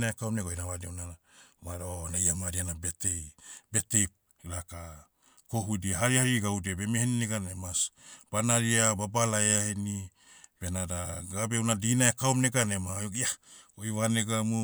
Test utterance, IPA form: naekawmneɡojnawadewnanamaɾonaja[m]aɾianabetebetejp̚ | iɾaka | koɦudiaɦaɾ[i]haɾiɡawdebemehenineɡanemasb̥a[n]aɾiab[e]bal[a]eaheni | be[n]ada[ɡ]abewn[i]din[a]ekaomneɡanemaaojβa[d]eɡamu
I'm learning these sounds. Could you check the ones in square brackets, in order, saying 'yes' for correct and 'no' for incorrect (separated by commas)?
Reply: yes, yes, yes, no, yes, yes, yes, no, yes, no